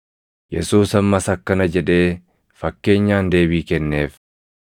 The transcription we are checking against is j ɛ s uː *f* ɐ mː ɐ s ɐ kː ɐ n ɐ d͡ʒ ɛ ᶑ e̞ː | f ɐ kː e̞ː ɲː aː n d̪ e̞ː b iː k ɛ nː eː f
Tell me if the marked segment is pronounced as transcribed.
no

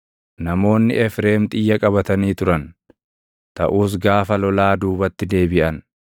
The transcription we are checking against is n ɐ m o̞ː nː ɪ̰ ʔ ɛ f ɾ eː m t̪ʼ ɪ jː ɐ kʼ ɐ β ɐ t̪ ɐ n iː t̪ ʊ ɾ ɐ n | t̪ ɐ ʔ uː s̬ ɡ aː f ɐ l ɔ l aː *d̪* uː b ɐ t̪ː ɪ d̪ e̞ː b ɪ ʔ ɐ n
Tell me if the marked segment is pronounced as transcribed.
yes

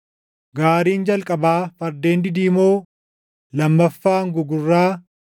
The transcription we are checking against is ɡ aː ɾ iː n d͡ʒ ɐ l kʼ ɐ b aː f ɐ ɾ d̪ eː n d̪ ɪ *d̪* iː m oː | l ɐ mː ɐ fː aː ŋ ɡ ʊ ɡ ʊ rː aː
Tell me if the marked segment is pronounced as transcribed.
yes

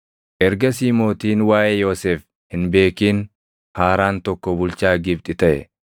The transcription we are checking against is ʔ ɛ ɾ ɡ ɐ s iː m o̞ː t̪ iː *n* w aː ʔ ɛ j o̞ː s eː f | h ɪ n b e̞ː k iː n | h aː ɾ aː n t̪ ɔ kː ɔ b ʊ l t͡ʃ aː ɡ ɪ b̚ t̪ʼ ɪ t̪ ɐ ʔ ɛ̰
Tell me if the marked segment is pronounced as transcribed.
yes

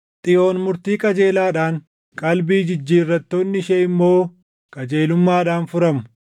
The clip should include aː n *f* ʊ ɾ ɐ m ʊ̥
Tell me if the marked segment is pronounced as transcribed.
yes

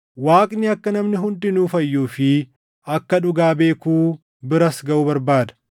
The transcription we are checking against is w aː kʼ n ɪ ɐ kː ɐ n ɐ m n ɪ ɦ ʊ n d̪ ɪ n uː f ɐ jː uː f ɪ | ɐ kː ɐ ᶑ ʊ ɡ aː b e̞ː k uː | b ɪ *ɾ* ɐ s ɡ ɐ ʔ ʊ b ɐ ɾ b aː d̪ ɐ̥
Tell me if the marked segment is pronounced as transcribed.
yes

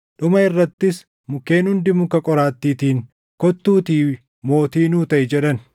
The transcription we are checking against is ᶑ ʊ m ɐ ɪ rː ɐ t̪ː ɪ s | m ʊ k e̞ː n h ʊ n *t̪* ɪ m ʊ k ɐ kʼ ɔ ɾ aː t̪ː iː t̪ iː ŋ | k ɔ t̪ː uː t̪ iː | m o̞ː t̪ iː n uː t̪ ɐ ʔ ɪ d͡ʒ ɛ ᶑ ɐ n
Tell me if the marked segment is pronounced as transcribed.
no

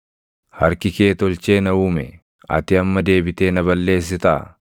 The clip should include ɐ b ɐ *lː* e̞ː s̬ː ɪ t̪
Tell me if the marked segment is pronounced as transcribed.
yes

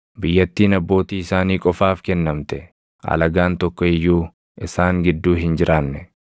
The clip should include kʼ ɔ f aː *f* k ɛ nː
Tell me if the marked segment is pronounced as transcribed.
yes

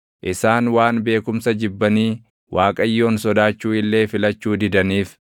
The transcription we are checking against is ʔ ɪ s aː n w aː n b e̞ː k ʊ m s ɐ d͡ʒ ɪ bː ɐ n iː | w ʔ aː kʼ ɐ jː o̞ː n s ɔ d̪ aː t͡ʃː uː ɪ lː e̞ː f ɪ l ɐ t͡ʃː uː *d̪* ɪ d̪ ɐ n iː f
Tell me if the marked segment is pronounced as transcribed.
yes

